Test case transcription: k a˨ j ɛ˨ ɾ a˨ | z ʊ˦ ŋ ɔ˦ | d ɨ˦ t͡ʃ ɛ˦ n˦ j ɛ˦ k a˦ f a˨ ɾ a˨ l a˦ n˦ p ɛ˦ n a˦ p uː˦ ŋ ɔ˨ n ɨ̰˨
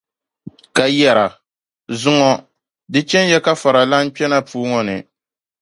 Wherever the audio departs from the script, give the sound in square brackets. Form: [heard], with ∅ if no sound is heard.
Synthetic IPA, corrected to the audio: k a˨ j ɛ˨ ɾ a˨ | z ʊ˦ ŋ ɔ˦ | d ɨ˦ t͡ʃ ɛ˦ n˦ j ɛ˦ k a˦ f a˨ ɾ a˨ l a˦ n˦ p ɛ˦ n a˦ p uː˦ ŋ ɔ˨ n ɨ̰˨